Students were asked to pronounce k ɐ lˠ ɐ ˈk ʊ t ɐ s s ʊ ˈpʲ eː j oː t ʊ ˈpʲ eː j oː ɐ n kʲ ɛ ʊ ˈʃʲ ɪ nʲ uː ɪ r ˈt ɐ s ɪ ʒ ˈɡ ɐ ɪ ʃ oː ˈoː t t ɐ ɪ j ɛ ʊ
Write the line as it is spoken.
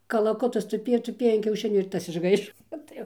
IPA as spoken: k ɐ lˠ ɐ ˈk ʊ t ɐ s t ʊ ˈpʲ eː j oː t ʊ ˈpʲ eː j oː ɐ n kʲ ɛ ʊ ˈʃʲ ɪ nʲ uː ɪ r ˈt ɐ s ɪ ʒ ˈɡ ɐ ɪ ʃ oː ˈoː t t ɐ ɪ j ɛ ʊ